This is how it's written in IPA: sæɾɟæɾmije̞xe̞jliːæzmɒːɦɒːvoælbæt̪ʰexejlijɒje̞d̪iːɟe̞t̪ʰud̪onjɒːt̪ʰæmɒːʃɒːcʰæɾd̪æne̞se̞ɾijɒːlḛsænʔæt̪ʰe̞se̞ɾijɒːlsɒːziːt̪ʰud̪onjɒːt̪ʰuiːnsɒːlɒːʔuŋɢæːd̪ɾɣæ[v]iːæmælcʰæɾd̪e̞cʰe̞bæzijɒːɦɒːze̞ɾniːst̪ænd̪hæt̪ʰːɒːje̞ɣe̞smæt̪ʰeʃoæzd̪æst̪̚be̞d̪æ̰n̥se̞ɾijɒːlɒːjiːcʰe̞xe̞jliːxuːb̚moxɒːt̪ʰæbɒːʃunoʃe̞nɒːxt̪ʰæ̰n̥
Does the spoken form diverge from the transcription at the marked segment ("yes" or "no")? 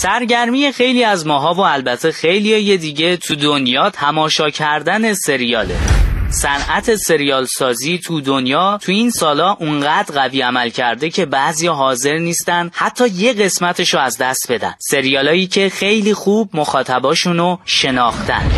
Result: no